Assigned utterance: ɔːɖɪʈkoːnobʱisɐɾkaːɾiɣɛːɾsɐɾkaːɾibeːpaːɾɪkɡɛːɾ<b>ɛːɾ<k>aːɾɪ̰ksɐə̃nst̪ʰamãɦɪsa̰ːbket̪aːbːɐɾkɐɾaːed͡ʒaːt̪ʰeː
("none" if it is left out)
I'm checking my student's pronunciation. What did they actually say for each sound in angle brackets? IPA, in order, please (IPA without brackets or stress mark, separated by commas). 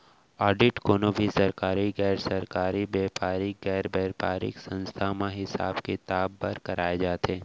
b, p